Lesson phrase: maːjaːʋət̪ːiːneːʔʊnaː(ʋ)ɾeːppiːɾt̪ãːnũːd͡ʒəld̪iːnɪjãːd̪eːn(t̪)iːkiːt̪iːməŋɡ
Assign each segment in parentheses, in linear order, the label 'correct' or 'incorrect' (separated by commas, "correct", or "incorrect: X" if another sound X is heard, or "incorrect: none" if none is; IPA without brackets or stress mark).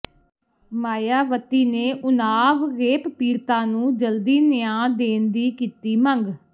correct, incorrect: d̪